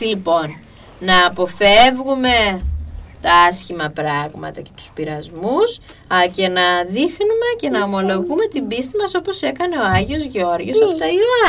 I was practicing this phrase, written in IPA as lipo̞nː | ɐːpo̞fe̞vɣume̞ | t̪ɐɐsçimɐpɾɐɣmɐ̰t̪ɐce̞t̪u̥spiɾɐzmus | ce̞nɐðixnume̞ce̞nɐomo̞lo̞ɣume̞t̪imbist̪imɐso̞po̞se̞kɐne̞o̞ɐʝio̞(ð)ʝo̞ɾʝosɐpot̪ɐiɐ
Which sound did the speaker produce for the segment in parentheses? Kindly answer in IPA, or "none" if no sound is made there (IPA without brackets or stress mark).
z